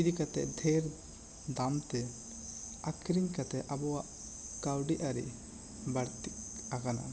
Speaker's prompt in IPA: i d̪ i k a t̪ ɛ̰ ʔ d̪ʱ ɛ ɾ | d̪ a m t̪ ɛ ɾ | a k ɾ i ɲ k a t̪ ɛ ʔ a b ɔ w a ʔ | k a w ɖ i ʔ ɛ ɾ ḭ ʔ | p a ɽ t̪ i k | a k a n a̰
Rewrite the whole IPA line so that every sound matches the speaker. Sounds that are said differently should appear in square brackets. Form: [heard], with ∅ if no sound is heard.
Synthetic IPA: i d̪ i k a t̪ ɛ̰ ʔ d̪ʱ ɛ ɾ | d̪ a m t̪ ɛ [∅] | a k ɾ i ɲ k a t̪ ɛ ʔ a b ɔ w a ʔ | k a w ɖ i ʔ [a] ɾ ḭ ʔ | [b] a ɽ t̪ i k | a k a n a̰